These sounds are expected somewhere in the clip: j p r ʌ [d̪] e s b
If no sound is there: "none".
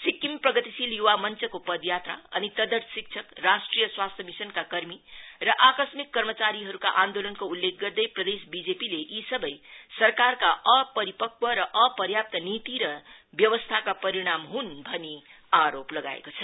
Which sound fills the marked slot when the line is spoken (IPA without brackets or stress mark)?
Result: d̪